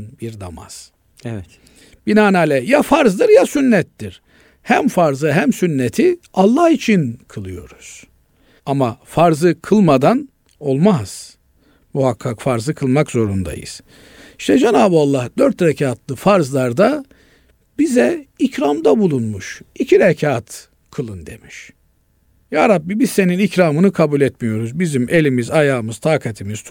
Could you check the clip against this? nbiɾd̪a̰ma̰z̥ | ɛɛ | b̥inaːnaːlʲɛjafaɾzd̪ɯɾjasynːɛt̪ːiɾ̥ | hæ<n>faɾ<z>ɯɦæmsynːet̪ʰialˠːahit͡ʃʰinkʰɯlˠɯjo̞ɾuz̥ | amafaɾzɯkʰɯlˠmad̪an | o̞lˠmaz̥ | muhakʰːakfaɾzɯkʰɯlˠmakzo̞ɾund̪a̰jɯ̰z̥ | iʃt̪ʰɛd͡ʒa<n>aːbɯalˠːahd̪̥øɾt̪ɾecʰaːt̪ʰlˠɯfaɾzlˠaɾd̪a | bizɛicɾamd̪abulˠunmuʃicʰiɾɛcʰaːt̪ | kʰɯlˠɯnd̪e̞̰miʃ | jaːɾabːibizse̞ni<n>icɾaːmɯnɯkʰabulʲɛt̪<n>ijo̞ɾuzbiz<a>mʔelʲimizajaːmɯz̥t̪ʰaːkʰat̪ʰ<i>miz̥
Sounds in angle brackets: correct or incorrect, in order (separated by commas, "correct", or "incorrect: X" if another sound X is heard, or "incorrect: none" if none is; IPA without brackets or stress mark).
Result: incorrect: m, correct, correct, correct, incorrect: m, incorrect: i, correct